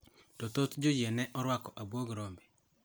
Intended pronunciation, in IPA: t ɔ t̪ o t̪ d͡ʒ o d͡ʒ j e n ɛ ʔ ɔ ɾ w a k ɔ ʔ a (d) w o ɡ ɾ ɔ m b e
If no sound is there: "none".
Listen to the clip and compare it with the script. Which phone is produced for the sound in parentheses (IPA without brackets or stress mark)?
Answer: b